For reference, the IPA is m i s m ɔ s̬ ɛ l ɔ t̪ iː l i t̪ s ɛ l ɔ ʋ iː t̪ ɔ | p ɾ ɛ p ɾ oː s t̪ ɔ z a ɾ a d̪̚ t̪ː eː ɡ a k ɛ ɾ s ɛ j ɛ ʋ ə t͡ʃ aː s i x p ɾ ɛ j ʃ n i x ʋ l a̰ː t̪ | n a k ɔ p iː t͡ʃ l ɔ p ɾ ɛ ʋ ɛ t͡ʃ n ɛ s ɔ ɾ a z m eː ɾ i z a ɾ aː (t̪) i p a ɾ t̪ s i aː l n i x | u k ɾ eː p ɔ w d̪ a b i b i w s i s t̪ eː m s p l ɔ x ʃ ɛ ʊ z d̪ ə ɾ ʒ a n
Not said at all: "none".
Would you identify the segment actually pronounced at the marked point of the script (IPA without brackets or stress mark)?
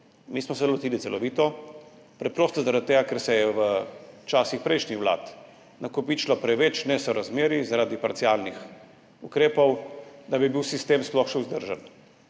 d̪